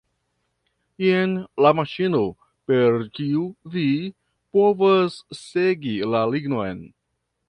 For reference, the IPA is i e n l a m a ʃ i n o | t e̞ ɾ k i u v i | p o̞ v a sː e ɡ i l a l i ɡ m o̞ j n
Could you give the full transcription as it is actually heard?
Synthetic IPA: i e n l a m a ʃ i n o | p e̞ ɾ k i u v i | p o̞ v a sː e ɡ i l a l i ɡ n o̞ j n